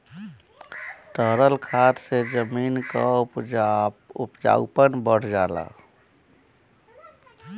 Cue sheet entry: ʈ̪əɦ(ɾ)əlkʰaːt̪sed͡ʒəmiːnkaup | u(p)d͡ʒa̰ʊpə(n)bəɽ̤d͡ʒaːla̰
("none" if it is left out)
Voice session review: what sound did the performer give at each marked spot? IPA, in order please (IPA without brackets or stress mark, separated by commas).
ɾ, p, n